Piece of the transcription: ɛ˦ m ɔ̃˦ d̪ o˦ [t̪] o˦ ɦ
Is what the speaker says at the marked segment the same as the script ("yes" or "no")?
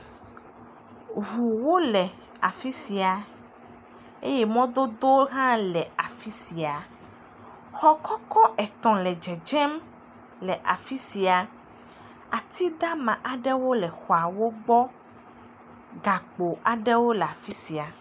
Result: no